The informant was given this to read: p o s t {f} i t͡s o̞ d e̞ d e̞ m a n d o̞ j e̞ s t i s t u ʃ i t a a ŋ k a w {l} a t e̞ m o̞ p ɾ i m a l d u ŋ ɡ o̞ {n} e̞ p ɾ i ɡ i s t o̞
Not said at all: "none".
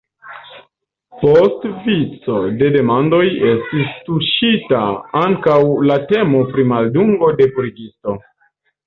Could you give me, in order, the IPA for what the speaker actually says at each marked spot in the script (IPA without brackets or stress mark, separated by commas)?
v, l, d